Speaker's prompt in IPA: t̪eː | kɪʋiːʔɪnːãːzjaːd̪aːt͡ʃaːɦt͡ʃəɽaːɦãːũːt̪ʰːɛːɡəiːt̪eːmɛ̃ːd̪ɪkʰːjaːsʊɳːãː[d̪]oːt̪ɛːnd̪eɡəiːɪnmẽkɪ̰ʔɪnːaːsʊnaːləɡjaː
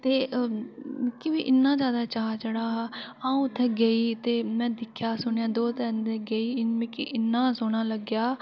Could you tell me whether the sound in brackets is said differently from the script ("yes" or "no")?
no